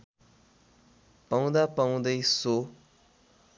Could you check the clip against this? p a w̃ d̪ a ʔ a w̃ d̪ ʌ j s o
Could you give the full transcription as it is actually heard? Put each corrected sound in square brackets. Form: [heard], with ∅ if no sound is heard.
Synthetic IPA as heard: p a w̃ d̪ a [p] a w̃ d̪ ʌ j s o

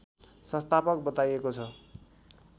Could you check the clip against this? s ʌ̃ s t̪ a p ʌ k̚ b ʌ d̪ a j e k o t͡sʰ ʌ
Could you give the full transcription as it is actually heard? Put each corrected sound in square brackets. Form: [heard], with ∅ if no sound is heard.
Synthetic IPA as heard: s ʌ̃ s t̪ a p ʌ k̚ b ʌ [t̪] a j e k o t͡sʰ ʌ

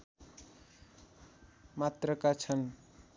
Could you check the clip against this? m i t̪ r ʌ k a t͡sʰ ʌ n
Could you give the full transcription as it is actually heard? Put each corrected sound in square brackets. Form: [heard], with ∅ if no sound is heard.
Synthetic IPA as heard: m [a] t̪ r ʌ k a t͡sʰ ʌ n

